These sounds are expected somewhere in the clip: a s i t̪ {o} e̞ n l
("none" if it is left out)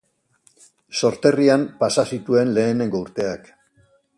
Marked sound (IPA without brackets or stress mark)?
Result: u